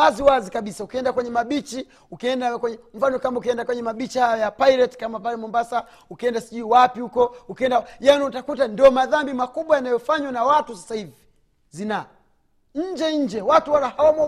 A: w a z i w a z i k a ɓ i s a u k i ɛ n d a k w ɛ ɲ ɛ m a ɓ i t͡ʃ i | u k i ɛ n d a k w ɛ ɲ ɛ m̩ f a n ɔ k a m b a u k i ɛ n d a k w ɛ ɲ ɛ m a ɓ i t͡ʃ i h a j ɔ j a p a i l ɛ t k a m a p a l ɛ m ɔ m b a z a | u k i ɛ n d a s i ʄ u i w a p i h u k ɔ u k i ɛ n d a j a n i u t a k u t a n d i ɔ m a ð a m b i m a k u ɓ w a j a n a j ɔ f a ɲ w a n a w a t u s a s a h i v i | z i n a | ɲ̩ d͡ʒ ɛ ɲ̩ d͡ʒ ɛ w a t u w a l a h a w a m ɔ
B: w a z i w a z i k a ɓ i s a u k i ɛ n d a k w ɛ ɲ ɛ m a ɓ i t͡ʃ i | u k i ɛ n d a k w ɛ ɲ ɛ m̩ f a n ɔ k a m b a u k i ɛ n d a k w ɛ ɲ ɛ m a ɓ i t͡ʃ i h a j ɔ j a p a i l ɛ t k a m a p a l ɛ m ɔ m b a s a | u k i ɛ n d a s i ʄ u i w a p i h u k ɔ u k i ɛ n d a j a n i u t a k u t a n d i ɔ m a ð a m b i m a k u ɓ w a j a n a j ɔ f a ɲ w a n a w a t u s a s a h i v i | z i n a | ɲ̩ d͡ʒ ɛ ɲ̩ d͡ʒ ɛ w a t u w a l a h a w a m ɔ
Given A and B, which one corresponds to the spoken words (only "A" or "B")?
B